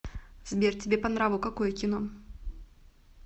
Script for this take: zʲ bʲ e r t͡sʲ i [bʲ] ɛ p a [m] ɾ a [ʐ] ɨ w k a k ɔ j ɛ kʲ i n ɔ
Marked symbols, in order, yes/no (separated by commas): yes, no, no